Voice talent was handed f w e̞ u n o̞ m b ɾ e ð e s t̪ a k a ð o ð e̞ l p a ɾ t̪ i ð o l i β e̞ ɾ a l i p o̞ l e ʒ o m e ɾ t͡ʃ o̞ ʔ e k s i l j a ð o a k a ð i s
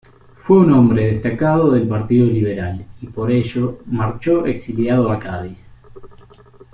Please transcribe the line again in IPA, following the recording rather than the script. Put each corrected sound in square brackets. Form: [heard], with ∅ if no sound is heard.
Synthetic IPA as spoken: f w e̞ u n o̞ m b ɾ e ð e s t̪ a k a ð o ð e̞ l p a ɾ t̪ i ð o l i β e̞ ɾ a l i p o̞ [ɾ] e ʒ o m [a] ɾ t͡ʃ o̞ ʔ e k s i l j a ð o a k a ð i s

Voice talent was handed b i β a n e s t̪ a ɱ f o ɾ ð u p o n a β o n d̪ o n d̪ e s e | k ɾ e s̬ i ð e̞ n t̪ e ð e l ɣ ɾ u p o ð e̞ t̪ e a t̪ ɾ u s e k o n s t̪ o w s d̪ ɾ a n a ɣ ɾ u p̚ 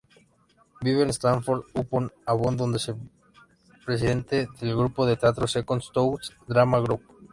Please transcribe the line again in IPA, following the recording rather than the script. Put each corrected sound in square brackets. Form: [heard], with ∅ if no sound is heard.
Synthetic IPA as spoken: b i β [e] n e s t̪ a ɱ f o ɾ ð u p o n a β o n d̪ o n d̪ e s e | [p] ɾ e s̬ i ð e̞ n t̪ e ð e l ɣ ɾ u p o ð e̞ t̪ e a t̪ ɾ [o] s e k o n s t̪ o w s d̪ ɾ a [m] a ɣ ɾ u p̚

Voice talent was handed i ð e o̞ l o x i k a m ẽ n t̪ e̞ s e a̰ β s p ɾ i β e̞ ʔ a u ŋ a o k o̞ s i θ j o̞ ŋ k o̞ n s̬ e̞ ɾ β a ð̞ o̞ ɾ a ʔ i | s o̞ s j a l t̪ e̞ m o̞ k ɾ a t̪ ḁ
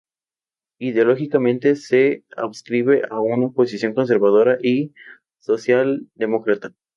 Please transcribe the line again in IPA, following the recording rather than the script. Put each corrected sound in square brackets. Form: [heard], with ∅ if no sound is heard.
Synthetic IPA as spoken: i ð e o̞ l o x i k a m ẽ n t̪ e̞ s e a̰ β s [k] ɾ i β e̞ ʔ a u [n] a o [p] o̞ s i [s] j o̞ ŋ k o̞ n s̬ e̞ ɾ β a ð̞ o̞ ɾ a ʔ i | s o̞ s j a l [d̪] e̞ m o̞ k ɾ a t̪ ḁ

